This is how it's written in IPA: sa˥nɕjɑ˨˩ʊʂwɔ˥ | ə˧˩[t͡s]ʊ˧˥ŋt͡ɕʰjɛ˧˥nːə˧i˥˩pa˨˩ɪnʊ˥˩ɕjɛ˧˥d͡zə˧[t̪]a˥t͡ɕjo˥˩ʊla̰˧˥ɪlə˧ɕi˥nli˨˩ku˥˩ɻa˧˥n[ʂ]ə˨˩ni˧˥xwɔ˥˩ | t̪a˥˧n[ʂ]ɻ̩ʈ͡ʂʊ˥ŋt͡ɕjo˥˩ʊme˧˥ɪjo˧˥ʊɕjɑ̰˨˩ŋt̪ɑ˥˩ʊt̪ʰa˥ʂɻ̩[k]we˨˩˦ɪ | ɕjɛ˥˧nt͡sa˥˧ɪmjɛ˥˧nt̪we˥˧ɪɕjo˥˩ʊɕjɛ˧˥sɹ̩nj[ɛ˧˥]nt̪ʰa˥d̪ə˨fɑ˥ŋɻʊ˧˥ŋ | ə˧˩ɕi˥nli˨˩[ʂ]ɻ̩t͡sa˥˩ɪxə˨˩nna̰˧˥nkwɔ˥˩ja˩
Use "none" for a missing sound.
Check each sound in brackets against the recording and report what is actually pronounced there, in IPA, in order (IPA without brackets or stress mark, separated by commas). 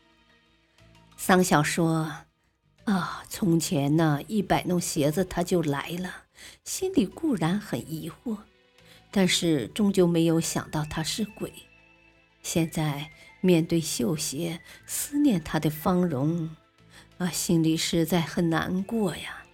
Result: t͡sʰ, t̪ʰ, x, ʂ, k, ɛ˥˩, ʂ